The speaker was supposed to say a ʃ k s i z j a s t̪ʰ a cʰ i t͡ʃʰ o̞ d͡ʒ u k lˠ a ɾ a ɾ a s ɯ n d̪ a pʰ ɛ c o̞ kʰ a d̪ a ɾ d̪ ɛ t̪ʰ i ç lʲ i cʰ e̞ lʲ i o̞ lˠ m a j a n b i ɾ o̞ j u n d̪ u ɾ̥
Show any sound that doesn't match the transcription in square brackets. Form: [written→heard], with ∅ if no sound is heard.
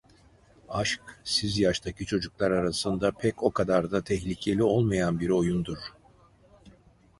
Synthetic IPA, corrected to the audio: a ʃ k s i z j a [s→ʃ] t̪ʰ a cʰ i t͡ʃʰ o̞ d͡ʒ u k lˠ a ɾ a ɾ a s ɯ n d̪ a pʰ ɛ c o̞ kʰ a d̪ a ɾ d̪ [ɛ→a] t̪ʰ [i→ɛ] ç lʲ i cʰ e̞ lʲ i o̞ lˠ m a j a n b i ɾ o̞ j u n d̪ u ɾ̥